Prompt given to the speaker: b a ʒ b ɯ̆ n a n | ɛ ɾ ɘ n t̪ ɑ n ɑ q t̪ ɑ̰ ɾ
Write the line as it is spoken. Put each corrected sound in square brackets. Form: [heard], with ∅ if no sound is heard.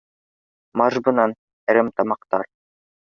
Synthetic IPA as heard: [m] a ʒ b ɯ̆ n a n | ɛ ɾ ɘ [m] t̪ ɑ [m] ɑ q t̪ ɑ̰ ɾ

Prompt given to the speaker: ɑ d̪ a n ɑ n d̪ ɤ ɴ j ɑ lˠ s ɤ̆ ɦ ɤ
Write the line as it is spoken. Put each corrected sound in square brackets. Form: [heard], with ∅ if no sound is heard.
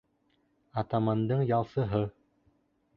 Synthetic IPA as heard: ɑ [t̪] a [m] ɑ n d̪ ɤ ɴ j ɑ lˠ s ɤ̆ ɦ ɤ

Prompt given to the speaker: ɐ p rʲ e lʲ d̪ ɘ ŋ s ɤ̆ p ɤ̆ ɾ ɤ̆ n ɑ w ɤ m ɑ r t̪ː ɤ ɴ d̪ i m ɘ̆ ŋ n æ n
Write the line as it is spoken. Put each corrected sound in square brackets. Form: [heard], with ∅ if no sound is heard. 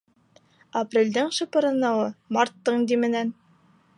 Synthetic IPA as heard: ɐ p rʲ e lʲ d̪ ɘ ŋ [ʃ] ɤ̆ p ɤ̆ ɾ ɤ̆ n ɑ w ɤ m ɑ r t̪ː ɤ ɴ d̪ i m ɘ̆ [∅] n æ n

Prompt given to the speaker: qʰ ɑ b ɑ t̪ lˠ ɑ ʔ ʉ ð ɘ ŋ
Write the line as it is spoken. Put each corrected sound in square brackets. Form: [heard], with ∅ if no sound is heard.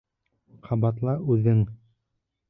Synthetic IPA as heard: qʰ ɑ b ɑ t̪ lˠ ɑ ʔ ʉ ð ɘ ŋ

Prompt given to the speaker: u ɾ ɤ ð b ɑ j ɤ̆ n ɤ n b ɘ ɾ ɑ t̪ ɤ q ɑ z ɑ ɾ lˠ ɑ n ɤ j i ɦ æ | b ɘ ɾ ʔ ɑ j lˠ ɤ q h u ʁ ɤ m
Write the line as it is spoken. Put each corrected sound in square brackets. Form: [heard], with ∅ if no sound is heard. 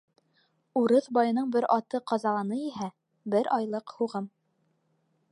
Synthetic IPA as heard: u ɾ ɤ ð b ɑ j ɤ̆ n ɤ [ɴ] b ɘ ɾ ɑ t̪ ɤ q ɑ z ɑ [∅] lˠ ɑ n ɤ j i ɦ æ | b ɘ ɾ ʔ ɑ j lˠ ɤ q h u ʁ ɤ m

